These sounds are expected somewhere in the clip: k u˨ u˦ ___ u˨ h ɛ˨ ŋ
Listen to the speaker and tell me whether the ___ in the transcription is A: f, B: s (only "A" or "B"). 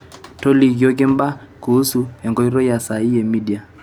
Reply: B